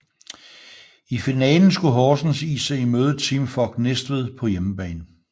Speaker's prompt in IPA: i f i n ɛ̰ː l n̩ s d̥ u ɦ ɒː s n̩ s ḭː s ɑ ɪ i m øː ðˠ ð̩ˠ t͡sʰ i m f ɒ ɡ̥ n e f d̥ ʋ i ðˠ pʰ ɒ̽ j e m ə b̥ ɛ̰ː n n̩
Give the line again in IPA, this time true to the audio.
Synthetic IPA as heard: i f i n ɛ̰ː l n̩ s ɡ̥ u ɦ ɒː s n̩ s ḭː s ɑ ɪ i m øː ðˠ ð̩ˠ t͡sʰ i m f ɒ ɡ̥ n e s d̥ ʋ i ðˠ pʰ ɒ̽ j e m ə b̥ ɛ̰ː n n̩